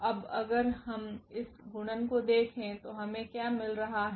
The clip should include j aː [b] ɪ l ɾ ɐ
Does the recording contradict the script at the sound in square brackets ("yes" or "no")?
yes